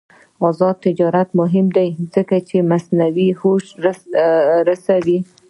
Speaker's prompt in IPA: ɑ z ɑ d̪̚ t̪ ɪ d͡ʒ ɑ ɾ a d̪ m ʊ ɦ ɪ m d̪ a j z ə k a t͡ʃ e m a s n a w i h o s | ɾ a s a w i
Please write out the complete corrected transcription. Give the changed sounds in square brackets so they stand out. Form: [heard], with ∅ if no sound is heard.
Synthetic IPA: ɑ z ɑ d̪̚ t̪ ɪ d͡ʒ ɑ ɾ a [t̪] m ʊ ɦ ɪ m d̪ a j z ə k a t͡ʃ e m a s n a w i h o [ʃ] | ɾ a s a w i